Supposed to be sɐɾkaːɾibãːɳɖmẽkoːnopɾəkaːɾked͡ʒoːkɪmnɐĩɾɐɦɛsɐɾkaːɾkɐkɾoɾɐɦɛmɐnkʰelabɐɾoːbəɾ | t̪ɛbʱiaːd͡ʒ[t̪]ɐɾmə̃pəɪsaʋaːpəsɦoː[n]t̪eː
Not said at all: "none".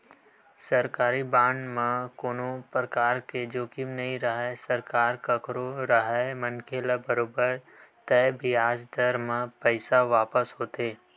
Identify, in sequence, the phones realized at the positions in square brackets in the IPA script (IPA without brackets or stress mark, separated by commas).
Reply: d̪, none